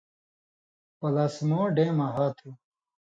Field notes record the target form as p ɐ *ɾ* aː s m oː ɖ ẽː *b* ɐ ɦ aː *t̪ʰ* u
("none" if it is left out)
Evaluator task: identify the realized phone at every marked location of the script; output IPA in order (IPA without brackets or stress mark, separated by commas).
l, m, t̪ʰ